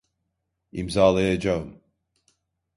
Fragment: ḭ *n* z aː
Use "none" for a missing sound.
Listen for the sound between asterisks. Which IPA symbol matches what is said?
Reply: m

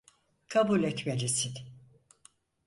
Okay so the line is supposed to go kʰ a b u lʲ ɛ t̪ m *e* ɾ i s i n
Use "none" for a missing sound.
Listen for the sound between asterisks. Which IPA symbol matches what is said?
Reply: e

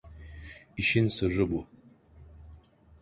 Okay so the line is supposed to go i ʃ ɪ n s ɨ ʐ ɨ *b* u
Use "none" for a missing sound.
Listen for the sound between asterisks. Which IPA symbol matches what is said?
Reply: b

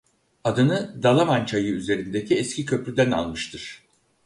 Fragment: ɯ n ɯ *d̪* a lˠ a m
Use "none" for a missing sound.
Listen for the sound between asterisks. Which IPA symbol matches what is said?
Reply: d̪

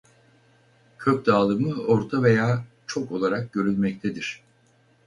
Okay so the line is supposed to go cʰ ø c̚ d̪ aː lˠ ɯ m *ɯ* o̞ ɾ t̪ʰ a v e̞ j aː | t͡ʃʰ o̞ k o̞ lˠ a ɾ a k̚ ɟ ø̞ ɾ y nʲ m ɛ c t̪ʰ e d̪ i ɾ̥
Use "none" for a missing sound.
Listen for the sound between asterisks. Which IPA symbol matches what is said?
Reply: ɯ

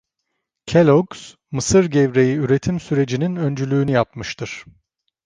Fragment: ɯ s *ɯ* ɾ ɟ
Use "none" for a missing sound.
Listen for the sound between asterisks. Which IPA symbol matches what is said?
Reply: ɯ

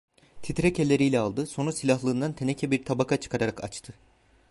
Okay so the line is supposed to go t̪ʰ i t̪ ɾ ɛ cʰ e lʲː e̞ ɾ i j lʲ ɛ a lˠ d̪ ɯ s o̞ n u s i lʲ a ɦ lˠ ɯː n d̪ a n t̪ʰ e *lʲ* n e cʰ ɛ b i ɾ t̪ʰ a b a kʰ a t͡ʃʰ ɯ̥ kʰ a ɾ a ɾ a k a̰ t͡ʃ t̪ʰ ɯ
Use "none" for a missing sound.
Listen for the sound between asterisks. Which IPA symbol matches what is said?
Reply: none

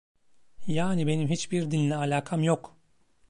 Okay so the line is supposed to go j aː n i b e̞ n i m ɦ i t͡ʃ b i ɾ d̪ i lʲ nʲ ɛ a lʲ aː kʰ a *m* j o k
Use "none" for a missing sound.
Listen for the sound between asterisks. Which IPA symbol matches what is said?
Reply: m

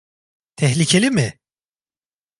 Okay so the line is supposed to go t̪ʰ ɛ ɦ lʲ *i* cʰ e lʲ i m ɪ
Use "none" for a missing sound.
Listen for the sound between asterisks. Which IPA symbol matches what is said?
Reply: i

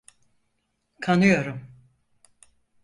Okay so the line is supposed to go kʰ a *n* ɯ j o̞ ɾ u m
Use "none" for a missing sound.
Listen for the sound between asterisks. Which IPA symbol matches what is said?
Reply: n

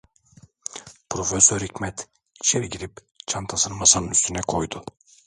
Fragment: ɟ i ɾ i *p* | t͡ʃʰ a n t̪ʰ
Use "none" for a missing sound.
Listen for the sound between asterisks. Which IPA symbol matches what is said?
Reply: p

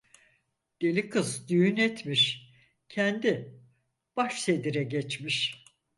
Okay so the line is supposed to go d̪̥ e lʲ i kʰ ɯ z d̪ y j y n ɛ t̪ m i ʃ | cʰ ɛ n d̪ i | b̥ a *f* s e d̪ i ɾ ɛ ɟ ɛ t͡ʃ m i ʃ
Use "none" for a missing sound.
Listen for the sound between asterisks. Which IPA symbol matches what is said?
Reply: ʃ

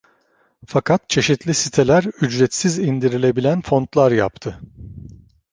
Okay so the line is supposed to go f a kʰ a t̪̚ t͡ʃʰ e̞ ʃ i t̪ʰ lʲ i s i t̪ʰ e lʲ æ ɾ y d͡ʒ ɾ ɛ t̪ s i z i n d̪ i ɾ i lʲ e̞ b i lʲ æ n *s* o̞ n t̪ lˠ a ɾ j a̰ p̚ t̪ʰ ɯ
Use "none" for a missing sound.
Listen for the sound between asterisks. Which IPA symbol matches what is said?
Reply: f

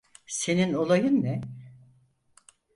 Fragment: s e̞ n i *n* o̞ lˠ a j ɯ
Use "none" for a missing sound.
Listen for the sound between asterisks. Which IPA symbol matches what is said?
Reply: n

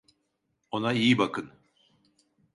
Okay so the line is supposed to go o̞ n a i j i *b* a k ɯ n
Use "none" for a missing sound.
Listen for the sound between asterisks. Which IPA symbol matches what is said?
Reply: b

